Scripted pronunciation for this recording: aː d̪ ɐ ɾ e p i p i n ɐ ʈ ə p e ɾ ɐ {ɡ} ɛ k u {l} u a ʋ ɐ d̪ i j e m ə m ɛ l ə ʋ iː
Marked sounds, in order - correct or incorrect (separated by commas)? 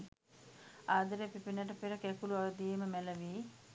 incorrect, correct